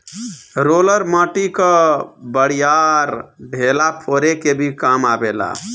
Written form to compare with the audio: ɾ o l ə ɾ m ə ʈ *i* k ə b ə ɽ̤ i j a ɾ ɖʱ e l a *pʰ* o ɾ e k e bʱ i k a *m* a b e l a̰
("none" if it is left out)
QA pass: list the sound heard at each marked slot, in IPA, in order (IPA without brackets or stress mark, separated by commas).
i, pʰ, m